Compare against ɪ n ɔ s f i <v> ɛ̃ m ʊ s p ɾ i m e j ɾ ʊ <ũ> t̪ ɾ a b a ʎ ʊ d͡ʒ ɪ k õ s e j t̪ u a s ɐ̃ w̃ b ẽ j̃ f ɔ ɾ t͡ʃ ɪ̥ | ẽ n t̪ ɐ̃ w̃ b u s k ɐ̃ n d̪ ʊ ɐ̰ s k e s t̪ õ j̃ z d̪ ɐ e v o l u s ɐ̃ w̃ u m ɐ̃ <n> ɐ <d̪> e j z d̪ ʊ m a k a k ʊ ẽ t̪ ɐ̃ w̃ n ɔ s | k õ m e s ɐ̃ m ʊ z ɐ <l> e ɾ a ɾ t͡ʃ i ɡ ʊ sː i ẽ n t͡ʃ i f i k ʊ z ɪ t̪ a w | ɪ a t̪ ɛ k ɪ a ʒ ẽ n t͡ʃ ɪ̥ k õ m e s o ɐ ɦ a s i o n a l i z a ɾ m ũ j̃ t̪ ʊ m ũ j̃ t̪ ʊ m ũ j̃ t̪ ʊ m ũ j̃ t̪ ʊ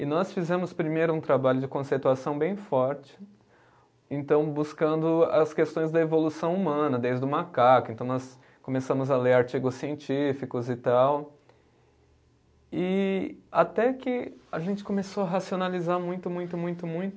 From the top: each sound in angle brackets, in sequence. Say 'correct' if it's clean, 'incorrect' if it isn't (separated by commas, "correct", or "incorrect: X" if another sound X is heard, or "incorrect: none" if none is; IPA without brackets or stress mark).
incorrect: z, correct, correct, correct, correct